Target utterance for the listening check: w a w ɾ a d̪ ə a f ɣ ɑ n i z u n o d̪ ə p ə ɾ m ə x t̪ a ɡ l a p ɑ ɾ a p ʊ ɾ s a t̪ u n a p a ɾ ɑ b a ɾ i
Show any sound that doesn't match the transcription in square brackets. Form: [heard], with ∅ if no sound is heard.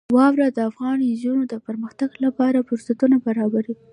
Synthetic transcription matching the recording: w [ɑ] w ɾ a d̪ ə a f ɣ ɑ n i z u n o d̪ ə p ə ɾ m ə x t̪ a ɡ l a p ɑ ɾ a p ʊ ɾ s a t̪ u n a [b] a ɾ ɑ b a ɾ i